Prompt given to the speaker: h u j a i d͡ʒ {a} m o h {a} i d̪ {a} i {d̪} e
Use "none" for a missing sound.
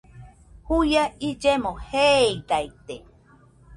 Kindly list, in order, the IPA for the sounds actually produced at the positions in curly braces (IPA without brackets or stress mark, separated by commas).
e, e, a, t̪